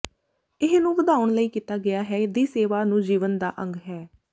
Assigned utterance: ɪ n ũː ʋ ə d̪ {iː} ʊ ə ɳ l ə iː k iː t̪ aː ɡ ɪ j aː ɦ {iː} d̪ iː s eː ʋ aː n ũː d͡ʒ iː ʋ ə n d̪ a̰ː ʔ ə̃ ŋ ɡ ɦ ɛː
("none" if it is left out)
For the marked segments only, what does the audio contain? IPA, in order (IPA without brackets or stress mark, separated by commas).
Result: aː, ɛː